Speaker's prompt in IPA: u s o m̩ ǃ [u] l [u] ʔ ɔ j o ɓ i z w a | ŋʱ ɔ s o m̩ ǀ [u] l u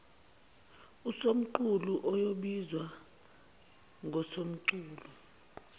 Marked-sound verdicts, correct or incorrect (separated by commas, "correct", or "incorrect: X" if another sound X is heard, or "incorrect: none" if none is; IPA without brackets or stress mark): correct, correct, incorrect: uː